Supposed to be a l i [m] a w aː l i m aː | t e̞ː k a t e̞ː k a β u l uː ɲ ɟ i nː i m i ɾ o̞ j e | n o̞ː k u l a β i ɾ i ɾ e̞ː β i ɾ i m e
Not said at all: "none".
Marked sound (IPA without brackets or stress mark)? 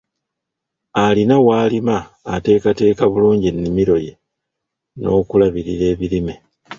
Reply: n